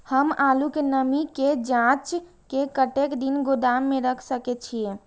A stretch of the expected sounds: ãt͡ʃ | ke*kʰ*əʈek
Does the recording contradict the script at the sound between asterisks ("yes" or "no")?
yes